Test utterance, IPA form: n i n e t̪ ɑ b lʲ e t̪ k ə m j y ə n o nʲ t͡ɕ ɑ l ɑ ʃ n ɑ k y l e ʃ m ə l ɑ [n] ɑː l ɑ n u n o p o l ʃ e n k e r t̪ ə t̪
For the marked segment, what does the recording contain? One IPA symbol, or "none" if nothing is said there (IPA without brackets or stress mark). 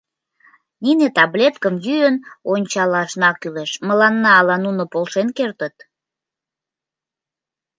nː